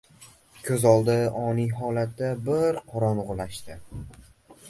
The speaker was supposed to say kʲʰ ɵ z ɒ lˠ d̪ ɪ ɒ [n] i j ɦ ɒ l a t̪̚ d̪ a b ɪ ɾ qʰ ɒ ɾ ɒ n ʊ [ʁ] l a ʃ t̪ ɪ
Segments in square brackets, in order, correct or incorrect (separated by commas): correct, correct